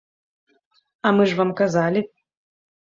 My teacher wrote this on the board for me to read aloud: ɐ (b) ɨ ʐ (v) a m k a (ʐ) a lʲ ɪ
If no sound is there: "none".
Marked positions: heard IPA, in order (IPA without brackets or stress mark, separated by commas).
m, v, z